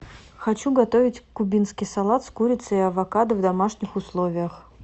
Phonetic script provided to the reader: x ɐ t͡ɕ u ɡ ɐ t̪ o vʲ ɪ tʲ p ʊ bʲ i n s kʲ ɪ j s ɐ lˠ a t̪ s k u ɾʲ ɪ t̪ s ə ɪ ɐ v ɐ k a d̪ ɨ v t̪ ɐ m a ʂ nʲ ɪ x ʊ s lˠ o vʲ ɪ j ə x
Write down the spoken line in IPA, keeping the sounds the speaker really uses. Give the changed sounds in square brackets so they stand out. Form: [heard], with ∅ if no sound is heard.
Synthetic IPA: x ɐ t͡ɕ u ɡ ɐ t̪ o vʲ ɪ tʲ [k] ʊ bʲ i n s kʲ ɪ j s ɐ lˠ a t̪ s k u ɾʲ ɪ t̪ s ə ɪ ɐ v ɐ k a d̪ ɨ v [d̪] ɐ m a ʂ nʲ ɪ x ʊ s lˠ o vʲ ɪ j ə x